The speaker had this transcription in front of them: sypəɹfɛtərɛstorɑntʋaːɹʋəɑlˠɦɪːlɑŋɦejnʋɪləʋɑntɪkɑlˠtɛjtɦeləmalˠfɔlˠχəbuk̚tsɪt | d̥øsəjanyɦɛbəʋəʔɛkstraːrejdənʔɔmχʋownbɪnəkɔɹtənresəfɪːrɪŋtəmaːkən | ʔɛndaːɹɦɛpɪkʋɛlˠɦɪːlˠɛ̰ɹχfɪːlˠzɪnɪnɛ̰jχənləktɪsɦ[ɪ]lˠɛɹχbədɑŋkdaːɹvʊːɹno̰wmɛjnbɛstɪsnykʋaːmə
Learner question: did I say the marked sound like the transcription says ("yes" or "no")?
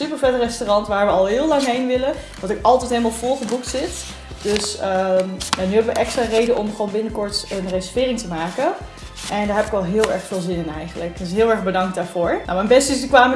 no